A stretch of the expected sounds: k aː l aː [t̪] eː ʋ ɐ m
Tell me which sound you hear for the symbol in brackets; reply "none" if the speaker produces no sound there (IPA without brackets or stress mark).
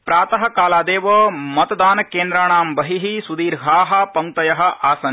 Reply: d̪